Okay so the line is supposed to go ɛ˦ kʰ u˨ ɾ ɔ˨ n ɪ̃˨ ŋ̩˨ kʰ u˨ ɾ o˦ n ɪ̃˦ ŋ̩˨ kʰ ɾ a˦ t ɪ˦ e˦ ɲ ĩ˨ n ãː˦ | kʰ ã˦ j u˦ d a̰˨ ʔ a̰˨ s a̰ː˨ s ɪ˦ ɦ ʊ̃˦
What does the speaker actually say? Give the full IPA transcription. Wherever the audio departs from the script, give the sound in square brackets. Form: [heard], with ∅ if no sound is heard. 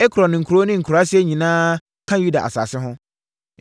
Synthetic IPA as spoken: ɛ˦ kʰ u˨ ɾ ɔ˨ n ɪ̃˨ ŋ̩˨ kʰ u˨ ɾ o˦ n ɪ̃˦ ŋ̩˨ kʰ ɾ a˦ [s] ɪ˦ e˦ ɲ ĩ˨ n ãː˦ | kʰ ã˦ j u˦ d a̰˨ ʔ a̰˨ s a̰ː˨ s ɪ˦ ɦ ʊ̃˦